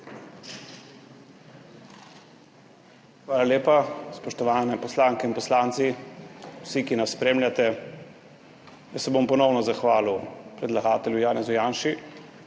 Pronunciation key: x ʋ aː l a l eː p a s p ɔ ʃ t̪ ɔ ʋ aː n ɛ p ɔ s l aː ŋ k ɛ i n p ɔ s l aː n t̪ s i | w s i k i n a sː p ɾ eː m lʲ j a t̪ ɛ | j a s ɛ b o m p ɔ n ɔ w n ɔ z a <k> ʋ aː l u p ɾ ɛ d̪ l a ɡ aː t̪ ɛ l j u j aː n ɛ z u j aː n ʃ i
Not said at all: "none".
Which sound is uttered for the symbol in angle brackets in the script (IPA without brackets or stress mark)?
x